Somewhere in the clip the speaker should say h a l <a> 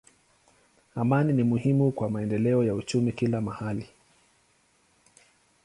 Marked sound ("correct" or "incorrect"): incorrect